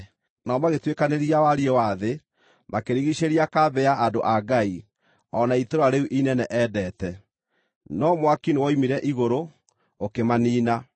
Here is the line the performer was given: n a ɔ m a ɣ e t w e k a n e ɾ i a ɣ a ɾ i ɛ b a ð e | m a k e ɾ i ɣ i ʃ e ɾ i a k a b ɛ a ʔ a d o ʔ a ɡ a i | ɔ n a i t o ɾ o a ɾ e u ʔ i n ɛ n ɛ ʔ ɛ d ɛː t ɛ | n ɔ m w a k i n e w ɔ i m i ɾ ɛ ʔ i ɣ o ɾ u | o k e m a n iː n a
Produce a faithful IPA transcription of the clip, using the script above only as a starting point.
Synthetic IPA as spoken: n a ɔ m a ɣ e t w e k a n e ɾ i a w a ɾ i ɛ w a ð e | m a k e ɾ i ɣ i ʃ e ɾ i a k a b ɛ a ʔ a d o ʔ a ɡ a i | ɔ n a i t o ɾ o a ɾ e u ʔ i n ɛ n ɛ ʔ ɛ d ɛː t ɛ | n ɔ m w a k i n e w ɔ i m i ɾ ɛ ʔ i ɣ o ɾ o | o k e m a n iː n a